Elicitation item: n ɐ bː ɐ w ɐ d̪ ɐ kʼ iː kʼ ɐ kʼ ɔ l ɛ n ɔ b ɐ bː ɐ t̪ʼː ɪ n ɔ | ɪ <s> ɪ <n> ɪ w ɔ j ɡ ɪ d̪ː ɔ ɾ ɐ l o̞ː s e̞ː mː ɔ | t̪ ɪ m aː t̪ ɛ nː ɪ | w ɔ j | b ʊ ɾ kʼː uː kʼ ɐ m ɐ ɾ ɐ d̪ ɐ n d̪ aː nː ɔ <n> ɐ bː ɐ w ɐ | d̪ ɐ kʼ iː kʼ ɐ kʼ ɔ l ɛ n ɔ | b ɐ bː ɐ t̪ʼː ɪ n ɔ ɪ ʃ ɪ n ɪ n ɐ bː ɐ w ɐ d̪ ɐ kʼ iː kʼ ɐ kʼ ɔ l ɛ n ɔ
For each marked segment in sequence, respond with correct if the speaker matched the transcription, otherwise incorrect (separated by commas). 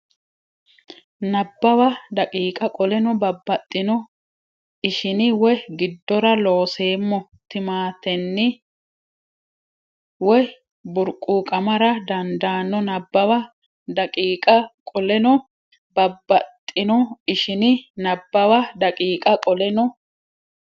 incorrect, correct, correct